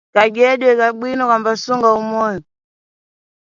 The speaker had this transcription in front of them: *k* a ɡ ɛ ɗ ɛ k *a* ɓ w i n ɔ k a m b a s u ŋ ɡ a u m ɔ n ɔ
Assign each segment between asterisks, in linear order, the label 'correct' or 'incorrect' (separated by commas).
correct, correct